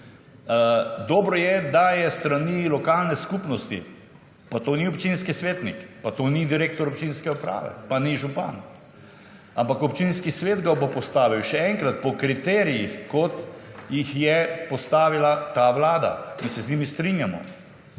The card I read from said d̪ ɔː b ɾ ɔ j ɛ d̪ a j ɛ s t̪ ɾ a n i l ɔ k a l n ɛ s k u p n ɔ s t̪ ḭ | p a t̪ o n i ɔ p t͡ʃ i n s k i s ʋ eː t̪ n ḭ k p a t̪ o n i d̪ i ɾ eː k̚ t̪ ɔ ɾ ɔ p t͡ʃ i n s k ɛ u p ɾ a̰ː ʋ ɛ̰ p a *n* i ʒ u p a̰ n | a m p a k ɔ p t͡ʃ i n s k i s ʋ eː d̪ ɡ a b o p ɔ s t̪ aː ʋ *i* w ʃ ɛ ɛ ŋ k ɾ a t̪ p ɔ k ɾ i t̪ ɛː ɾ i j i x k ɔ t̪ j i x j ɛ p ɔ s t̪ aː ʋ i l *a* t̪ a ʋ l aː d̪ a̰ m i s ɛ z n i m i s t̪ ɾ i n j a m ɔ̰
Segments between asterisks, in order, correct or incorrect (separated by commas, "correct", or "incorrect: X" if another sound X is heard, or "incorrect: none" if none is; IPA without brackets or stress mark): correct, correct, correct